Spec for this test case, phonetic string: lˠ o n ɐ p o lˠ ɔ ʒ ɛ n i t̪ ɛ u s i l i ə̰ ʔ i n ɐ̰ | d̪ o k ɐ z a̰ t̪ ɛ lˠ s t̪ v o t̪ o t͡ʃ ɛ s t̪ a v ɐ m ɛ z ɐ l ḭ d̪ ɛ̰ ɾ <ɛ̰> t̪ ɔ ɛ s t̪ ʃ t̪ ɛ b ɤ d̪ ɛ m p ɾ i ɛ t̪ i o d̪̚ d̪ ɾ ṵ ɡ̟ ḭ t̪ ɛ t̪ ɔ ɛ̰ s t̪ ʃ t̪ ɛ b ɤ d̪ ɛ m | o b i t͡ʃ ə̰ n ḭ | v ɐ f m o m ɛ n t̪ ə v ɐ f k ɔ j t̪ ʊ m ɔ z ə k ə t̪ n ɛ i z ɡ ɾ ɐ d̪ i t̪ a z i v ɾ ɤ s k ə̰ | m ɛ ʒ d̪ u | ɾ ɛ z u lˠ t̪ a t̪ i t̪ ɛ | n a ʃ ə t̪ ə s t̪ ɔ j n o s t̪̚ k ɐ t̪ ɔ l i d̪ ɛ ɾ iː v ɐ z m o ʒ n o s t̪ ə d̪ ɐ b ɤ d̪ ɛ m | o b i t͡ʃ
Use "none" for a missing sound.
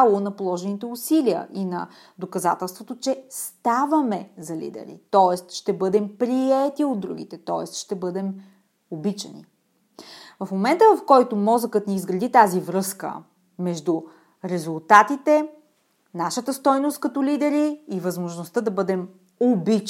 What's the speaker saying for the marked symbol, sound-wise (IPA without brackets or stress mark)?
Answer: ḭ